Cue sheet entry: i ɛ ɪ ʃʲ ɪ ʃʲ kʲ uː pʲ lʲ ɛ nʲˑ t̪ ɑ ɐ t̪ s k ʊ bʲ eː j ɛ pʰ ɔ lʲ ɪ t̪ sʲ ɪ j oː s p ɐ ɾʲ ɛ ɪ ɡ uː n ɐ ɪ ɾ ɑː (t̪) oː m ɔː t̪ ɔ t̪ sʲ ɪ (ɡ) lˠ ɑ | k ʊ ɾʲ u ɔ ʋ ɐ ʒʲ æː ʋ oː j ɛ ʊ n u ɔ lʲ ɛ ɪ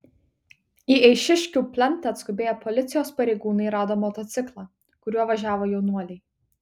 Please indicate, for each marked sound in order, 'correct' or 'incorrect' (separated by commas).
incorrect, incorrect